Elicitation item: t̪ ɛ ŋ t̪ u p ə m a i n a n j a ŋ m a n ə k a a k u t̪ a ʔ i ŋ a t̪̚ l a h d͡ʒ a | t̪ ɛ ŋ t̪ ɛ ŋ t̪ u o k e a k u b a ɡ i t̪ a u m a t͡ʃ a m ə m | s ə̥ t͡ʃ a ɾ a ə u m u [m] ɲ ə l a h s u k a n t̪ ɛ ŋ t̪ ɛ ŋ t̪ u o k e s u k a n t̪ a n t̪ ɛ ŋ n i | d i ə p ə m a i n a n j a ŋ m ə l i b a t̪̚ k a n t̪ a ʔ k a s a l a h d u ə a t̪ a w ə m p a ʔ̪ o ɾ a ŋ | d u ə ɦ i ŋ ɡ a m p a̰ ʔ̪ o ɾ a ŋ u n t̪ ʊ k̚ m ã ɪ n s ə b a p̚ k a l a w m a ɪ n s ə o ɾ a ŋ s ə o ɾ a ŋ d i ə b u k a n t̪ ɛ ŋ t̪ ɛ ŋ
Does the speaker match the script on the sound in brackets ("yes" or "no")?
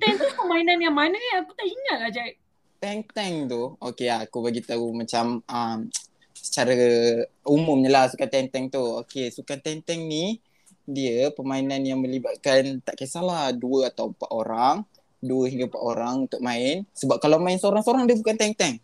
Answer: yes